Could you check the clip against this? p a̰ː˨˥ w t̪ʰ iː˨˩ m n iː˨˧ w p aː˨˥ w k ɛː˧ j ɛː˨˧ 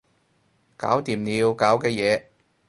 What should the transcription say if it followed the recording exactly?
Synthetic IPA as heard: k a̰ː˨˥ w t̪ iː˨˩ m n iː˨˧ w k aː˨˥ w k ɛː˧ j ɛː˨˧